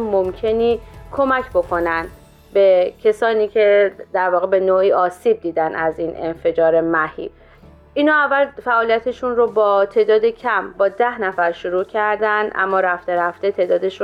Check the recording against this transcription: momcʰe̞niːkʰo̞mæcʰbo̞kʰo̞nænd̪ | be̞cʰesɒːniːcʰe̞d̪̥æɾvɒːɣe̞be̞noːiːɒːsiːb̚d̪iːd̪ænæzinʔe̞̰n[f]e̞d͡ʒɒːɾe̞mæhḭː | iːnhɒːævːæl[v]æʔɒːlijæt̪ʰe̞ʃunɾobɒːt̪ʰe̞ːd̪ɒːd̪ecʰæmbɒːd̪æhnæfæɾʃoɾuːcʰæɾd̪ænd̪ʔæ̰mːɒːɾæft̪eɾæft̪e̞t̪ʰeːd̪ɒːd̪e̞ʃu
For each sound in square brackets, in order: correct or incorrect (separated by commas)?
correct, incorrect